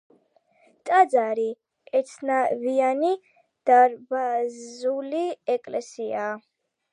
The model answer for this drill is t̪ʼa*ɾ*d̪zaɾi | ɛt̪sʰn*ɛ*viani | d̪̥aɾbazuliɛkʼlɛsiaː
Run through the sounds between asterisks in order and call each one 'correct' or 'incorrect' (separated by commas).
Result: incorrect, incorrect